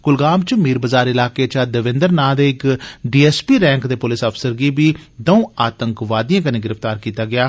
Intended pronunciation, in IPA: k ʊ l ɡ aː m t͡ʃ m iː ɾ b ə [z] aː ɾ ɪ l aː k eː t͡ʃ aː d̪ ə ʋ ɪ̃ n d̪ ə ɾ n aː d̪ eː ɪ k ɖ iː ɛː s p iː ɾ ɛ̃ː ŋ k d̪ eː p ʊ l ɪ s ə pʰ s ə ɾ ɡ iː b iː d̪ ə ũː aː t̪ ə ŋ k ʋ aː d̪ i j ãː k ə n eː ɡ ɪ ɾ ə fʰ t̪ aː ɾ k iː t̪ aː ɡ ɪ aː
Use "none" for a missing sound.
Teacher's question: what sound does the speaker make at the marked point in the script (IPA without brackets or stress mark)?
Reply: z